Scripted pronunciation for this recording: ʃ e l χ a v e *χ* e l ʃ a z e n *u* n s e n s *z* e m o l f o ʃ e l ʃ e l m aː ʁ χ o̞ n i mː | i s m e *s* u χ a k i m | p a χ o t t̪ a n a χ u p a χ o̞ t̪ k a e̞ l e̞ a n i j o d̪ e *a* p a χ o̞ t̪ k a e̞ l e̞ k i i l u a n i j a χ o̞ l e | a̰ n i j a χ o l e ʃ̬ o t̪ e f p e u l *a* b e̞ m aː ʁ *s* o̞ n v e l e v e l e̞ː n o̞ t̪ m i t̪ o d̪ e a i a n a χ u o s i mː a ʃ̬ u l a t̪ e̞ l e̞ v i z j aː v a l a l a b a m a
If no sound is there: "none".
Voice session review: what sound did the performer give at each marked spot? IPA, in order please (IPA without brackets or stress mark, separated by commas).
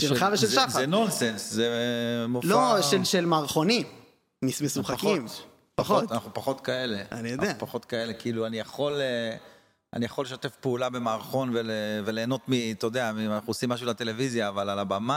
ʃ, o, z, s, a, a, χ